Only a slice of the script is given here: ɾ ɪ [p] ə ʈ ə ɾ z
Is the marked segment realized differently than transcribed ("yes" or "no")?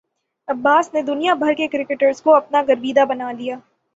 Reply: yes